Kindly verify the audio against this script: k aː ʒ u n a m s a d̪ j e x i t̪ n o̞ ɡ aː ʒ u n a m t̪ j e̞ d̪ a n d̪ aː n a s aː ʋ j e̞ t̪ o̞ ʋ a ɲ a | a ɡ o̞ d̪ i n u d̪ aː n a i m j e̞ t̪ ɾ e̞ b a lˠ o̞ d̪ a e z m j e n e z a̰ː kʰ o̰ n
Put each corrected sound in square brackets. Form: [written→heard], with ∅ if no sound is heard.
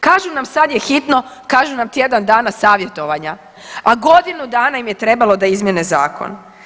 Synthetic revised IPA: k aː ʒ u n a m s a d̪ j e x i t̪ n o̞ [ɡ→k] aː ʒ u n a m t̪ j e̞ d̪ a n d̪ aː n a s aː ʋ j e̞ t̪ o̞ ʋ a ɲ a | a ɡ o̞ d̪ i n u d̪ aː n a i m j e̞ t̪ ɾ e̞ b a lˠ o̞ d̪ a [e→i] z m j e n e z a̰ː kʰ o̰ n